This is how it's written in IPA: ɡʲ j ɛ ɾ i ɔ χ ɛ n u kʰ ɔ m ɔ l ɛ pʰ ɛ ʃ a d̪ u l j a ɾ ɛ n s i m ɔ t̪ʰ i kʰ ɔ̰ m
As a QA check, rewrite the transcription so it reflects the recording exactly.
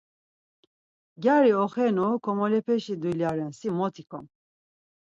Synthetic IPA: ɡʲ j a ɾ i ɔ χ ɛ n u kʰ ɔ m ɔ l ɛ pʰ ɛ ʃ i d̪ u l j a ɾ ɛ n s i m ɔ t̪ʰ i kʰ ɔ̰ m